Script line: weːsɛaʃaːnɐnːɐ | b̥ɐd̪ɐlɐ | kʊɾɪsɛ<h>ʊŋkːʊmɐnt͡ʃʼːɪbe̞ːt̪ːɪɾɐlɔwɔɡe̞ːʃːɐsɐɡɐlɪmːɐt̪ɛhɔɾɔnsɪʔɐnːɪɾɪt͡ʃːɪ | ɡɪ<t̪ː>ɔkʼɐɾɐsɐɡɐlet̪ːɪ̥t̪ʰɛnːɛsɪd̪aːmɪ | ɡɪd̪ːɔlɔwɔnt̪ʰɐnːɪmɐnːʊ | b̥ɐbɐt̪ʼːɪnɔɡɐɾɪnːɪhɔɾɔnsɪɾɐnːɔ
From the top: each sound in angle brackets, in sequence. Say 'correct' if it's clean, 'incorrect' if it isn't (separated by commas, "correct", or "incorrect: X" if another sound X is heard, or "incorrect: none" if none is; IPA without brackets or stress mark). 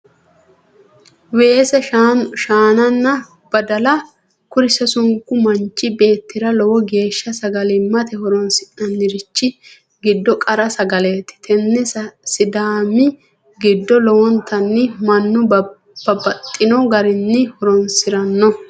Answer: incorrect: s, incorrect: d̪ː